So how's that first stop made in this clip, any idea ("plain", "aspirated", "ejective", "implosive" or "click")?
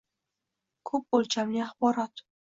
aspirated